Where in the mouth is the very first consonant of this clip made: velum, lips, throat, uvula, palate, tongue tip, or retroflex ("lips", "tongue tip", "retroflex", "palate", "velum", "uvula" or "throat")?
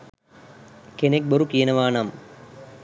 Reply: velum